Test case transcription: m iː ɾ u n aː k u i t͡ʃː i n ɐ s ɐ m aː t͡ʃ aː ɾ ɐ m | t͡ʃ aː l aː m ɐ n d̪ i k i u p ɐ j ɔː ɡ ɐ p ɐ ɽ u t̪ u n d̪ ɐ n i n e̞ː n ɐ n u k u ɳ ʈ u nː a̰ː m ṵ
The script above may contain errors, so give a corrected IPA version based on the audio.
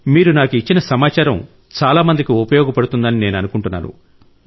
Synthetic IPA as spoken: m iː ɾ u n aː k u i t͡ʃː i n ɐ s ɐ m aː t͡ʃ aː ɾ ɐ m | t͡ʃ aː l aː m ɐ n d̪ i k i u p ɐ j ɔː ɡ ɐ p ɐ ɽ u t̪ u n d̪ ɐ n i n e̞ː n ɐ n u k u ɳ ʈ u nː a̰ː n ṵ